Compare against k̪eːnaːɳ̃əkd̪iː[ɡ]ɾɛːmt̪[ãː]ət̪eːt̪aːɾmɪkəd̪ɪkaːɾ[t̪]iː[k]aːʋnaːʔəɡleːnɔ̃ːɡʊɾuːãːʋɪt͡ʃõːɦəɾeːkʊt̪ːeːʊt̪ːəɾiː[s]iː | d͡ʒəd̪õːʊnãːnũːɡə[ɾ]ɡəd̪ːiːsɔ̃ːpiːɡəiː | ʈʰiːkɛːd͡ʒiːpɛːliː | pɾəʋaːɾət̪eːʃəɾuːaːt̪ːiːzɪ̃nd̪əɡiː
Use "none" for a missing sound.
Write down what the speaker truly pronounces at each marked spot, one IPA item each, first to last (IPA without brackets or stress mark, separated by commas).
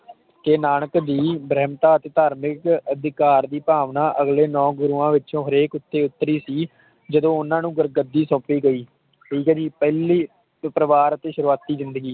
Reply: b, aː, d̪, p, s, ɾ